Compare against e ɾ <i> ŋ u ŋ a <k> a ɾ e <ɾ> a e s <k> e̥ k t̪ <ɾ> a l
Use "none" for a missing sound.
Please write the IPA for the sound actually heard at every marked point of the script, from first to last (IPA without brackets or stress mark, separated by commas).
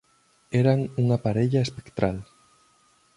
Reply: a, p, ʎ, p, ɾ